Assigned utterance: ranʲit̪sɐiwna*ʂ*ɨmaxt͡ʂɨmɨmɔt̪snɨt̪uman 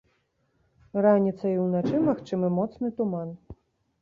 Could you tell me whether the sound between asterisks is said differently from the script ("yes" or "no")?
yes